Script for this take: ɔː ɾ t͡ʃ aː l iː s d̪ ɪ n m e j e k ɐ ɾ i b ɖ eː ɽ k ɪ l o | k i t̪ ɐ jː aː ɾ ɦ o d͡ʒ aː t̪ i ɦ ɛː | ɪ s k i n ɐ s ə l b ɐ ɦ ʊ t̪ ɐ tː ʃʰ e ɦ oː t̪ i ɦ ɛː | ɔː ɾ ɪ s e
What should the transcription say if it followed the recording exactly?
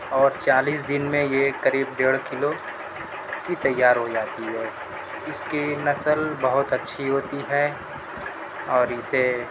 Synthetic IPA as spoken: ɔː ɾ t͡ʃ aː l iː s d̪ ɪ n m ẽ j e k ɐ ɾ iː b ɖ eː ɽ k ɪ l o | k i t̪ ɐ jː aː ɾ ɦ o d͡ʒ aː t̪ i ɦ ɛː | ɪ s k i n ɐ s ə l b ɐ ɦ ʊ t̪ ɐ tː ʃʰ i ɦ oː t̪ i ɦ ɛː | ɔː ɾ ɪ s e

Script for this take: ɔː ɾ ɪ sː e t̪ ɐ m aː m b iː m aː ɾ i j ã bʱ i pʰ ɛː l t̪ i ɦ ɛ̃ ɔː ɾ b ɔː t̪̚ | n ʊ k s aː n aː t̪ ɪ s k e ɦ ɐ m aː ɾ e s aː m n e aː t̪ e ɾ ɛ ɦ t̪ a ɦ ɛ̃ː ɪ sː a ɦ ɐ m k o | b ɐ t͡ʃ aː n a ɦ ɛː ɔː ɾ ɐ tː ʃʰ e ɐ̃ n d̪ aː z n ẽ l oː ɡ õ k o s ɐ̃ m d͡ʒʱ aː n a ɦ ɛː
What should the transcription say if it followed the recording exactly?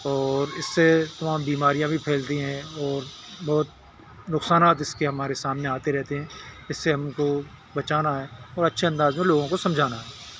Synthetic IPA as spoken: ɔː ɾ ɪ sː e t̪ ɐ m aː m b iː m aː ɾ i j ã bʱ i pʰ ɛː l t̪ i ɦ ɛ̃ ɔː ɾ b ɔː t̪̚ | n ʊ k s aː n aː t̪ ɪ s k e ɦ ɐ m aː ɾ e s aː m n e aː t̪ e ɾ ɛ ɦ t̪ e ɦ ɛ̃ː ɪ sː e ɦ ɐ m k o | b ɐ t͡ʃ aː n a ɦ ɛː ɔː ɾ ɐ tː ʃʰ e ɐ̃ n d̪ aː z m ẽ l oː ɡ õ k o s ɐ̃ m d͡ʒʱ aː n a ɦ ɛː

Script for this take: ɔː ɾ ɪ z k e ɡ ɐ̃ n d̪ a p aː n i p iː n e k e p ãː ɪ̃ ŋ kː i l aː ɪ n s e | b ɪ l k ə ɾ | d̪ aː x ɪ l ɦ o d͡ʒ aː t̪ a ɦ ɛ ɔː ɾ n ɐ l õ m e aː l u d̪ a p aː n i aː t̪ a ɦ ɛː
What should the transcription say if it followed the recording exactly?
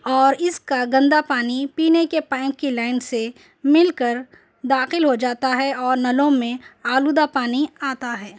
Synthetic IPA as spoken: ɔː ɾ ɪ s k a ɡ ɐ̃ n d̪ a p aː n i p iː n e k e p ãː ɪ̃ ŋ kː i l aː ɪ n s e | m ɪ l k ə ɾ | d̪ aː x ɪ l ɦ o d͡ʒ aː t̪ a ɦ ɛ ɔː ɾ n ɐ l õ m ẽ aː l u d̪ a p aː n i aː t̪ a ɦ ɛː

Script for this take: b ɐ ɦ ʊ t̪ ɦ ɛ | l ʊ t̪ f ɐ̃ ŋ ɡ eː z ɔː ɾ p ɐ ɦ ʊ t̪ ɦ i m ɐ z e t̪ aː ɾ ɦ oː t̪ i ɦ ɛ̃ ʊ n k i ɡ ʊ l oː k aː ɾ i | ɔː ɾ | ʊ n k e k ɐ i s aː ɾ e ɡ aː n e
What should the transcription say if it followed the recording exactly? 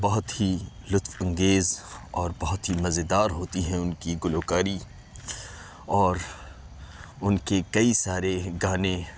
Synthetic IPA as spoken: b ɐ ɦ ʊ t̪ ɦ i | l ʊ t̪ f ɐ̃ ŋ ɡ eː z ɔː ɾ b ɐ ɦ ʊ t̪ ɦ i m ɐ z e d̪ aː ɾ ɦ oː t̪ i ɦ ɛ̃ ʊ n k i ɡ ʊ l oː k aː ɾ i | ɔː ɾ | ʊ n k e k ɐ i s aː ɾ e ɡ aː n e

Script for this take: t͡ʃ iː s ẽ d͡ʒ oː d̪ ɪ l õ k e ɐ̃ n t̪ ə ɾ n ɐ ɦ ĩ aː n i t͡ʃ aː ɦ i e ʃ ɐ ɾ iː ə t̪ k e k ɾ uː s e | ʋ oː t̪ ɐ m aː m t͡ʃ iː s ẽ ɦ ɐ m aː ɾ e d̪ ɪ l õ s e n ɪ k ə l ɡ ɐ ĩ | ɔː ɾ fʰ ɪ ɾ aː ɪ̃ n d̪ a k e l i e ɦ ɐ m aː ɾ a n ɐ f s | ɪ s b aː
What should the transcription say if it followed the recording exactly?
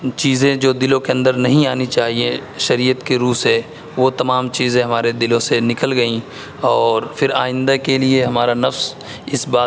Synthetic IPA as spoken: t͡ʃ iː z ẽ d͡ʒ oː d̪ ɪ l õ k e ɐ̃ n d̪ ə ɾ n ɐ ɦ ĩ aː n i t͡ʃ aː ɦ i e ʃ ɐ ɾ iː ə t̪ k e ɾ uː s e | ʋ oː t̪ ɐ m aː m t͡ʃ iː z ẽ ɦ ɐ m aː ɾ e d̪ ɪ l õ s e n ɪ k ə l ɡ ɐ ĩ | ɔː ɾ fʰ ɪ ɾ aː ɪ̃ n d̪ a k e l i e ɦ ɐ m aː ɾ a n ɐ f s | ɪ s b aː

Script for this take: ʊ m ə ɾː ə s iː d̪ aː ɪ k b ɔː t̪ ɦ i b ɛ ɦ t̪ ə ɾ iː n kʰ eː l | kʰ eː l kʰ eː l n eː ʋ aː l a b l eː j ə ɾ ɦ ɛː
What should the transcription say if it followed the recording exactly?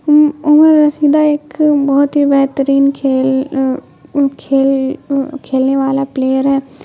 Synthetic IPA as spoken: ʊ m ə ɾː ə s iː d̪ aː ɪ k b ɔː t̪ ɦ i b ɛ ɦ t̪ ə ɾ iː n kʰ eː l | kʰ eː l kʰ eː l n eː ʋ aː l a p l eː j ə ɾ ɦ ɛː

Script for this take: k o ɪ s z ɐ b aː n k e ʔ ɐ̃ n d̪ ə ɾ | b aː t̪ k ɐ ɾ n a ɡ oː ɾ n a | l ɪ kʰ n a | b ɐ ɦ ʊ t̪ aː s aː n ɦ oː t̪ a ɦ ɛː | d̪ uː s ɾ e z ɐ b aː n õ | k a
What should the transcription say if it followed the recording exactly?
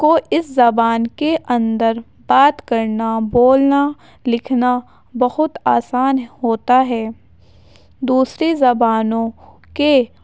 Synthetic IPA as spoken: k o ɪ s z ɐ b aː n k e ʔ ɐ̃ n d̪ ə ɾ | b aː t̪ k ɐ ɾ n a b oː l n a | l ɪ kʰ n a | b ɐ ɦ ʊ t̪ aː s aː n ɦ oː t̪ a ɦ ɛː | d̪ uː s ɾ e z ɐ b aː n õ | k e

